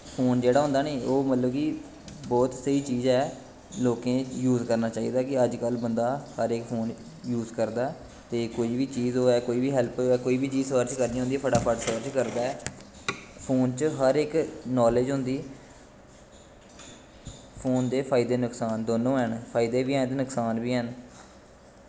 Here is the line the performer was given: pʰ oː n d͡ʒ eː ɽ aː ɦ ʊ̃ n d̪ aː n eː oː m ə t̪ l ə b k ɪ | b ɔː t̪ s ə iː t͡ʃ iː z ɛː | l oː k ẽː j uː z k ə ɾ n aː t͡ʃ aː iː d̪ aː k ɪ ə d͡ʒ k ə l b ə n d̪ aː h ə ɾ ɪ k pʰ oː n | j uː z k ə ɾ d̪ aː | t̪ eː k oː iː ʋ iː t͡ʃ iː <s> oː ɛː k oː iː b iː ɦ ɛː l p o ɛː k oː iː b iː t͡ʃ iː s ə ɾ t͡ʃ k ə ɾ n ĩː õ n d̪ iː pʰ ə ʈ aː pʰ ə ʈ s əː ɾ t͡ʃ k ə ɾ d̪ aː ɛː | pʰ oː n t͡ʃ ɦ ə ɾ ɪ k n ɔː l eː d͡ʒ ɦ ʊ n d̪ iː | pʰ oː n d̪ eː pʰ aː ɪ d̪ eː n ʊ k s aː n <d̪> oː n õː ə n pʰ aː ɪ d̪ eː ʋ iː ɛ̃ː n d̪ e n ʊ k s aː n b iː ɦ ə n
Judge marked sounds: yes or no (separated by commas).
no, yes